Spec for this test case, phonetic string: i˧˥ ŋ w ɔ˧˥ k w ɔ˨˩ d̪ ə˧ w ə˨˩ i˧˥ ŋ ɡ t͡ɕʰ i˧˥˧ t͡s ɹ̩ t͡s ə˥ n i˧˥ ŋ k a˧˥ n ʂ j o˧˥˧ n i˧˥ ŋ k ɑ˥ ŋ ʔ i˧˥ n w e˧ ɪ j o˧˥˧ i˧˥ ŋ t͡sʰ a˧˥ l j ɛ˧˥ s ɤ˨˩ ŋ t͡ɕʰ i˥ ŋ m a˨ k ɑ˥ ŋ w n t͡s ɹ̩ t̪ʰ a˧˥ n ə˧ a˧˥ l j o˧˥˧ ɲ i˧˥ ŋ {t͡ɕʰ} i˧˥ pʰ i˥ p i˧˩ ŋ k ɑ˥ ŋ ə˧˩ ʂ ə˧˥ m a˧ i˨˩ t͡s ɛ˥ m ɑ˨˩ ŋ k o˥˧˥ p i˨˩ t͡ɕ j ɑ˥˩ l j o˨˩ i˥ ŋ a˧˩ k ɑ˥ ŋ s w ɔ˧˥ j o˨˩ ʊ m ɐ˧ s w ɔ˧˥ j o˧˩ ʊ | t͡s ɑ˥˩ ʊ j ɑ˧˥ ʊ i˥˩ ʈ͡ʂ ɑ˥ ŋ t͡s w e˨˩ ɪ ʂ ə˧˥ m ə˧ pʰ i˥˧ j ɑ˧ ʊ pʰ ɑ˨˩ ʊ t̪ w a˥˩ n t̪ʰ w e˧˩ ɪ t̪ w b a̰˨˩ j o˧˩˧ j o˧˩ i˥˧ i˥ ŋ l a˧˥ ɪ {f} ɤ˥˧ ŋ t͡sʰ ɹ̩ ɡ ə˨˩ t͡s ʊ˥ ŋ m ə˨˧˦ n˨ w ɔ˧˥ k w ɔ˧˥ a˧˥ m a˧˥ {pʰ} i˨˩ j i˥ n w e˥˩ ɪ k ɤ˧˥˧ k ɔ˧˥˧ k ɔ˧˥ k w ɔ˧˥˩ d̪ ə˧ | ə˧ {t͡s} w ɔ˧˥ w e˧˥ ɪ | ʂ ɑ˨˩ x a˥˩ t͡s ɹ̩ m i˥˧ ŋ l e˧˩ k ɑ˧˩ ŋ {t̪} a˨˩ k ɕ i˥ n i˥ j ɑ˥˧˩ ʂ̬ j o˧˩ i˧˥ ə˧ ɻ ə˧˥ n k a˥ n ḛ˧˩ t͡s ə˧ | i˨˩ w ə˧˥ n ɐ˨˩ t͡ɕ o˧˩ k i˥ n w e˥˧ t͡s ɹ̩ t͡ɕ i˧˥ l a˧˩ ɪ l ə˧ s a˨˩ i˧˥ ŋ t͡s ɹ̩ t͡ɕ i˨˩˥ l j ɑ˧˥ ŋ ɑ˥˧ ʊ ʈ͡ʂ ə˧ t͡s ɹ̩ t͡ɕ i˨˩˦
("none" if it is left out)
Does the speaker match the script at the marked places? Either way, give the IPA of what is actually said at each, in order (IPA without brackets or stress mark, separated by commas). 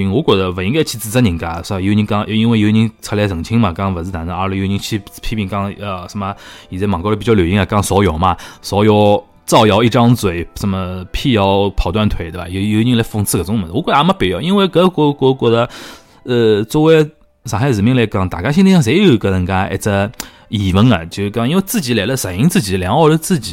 t͡ɕʰ, f, p, t͡s, t̪